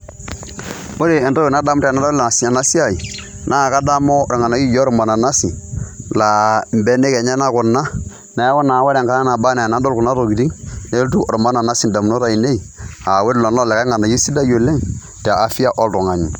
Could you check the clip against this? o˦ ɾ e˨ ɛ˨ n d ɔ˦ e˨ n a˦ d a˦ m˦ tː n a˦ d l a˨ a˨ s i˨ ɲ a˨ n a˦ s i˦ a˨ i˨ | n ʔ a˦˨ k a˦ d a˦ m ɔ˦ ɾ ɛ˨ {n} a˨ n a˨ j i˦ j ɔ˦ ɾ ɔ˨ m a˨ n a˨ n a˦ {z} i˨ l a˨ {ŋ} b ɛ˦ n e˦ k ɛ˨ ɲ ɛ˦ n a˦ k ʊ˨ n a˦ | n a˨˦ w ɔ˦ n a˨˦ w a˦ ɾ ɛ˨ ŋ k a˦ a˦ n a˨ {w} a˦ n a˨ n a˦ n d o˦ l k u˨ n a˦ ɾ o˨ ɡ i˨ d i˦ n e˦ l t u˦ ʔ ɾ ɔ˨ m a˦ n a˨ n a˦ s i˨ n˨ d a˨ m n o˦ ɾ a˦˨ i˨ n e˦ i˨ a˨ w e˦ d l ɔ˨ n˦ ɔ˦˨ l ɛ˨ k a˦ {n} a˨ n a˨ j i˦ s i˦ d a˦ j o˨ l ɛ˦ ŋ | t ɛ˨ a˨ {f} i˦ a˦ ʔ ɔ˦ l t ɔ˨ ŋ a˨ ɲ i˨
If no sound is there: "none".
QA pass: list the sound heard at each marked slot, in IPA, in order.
ŋ, s, m, b, ŋ, f

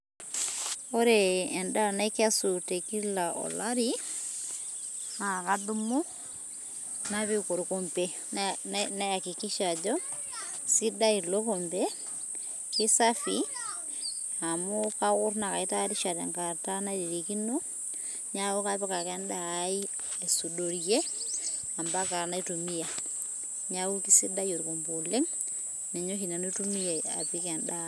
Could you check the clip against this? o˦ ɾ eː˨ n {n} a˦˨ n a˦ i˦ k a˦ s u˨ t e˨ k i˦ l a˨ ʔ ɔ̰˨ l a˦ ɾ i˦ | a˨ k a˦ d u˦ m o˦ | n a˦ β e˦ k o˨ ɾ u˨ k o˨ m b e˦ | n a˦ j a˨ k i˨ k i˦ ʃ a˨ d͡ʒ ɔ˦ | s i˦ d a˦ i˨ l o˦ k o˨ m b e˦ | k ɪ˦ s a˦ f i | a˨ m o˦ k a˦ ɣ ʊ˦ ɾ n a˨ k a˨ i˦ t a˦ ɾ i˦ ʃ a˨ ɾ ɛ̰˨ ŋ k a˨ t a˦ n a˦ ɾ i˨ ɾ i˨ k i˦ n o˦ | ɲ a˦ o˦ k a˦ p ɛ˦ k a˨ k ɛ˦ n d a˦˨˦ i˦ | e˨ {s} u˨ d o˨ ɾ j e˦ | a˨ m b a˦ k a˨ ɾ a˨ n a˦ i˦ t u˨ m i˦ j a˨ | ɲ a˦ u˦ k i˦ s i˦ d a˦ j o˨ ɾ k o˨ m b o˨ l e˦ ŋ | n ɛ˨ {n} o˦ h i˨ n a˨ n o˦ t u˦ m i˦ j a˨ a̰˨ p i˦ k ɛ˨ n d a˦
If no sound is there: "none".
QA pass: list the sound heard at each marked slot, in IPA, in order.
d, s, ɲ

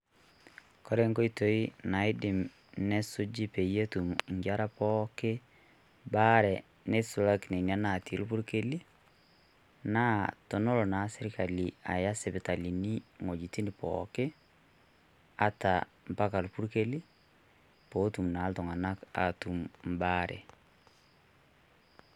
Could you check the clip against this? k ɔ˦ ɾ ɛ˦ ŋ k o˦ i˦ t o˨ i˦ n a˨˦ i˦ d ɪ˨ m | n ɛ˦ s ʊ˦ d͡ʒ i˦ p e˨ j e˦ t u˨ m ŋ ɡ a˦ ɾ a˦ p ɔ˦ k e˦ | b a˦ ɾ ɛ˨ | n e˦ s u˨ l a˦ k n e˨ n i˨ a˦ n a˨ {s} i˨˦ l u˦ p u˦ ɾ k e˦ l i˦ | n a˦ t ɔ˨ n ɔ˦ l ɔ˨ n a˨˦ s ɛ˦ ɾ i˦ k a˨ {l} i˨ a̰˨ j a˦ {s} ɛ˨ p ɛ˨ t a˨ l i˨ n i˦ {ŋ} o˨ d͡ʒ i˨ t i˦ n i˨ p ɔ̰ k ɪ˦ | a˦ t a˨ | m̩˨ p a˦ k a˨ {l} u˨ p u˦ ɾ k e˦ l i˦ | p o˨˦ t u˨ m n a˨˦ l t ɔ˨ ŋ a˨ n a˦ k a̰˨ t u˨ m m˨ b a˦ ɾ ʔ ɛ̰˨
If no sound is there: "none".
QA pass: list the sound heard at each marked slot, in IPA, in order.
t, l, s, ŋ, l

